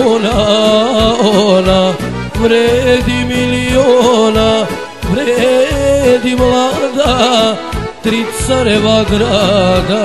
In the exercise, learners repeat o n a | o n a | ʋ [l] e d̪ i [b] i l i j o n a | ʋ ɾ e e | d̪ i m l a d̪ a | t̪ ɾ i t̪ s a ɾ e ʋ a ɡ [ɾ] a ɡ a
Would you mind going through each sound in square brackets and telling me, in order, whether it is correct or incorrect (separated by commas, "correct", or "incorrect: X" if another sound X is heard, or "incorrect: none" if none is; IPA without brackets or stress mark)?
incorrect: ɾ, incorrect: m, correct